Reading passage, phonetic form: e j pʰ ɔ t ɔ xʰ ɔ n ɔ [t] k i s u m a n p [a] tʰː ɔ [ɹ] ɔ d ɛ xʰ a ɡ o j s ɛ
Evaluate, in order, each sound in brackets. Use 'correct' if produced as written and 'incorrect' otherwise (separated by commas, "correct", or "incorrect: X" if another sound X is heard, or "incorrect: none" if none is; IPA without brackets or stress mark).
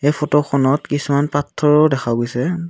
correct, correct, correct